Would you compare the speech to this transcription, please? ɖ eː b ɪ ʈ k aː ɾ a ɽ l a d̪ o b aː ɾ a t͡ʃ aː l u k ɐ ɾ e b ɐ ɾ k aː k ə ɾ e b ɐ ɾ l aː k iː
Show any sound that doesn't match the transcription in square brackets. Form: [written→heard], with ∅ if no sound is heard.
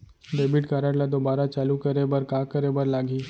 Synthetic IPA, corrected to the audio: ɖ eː b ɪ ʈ k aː ɾ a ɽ l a d̪ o b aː ɾ a t͡ʃ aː l u k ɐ ɾ e b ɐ ɾ k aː k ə ɾ e b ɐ ɾ l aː [k→ɡ] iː